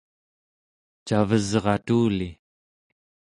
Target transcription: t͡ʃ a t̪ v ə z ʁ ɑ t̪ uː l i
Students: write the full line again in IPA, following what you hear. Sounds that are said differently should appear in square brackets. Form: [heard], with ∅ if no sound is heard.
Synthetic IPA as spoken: t͡ʃ a [∅] v ə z ʁ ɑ t̪ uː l i